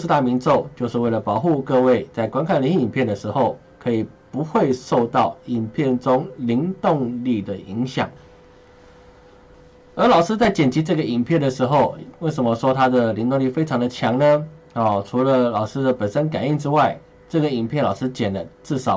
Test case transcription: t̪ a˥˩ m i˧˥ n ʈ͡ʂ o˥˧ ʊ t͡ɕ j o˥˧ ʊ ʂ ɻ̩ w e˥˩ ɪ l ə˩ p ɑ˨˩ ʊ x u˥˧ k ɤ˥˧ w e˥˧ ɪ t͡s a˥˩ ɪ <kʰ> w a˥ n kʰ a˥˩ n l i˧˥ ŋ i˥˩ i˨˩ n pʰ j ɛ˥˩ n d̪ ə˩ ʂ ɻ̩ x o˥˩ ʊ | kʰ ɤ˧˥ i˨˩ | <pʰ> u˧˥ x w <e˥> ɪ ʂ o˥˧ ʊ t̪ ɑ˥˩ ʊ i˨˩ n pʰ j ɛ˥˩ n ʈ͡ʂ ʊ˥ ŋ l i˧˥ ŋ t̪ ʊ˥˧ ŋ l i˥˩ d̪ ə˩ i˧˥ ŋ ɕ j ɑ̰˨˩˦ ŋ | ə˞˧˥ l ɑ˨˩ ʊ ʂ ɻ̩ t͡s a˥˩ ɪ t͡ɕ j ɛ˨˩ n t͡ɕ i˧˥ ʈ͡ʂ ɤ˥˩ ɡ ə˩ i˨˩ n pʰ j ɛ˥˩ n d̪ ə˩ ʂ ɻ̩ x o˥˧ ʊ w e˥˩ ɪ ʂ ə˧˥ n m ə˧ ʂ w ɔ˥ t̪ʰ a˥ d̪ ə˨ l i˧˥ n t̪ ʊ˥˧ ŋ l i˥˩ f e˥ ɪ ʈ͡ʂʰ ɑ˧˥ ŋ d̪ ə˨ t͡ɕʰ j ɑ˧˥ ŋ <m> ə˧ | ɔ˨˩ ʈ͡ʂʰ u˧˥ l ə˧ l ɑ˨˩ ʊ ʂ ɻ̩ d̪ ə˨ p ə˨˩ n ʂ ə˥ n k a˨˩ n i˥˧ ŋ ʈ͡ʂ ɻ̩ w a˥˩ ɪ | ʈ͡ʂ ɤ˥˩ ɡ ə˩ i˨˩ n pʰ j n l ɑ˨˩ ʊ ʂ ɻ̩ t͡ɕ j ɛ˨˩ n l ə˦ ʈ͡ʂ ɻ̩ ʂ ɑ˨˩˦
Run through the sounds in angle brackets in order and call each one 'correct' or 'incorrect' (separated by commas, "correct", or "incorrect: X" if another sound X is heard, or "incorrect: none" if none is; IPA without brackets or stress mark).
incorrect: k, incorrect: p, incorrect: e˥˧, incorrect: n